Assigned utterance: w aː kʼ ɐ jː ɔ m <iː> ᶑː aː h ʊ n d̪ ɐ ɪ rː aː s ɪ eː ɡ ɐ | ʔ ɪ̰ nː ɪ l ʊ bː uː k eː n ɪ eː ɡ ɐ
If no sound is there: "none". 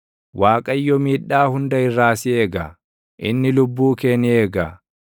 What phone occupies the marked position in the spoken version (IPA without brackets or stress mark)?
iː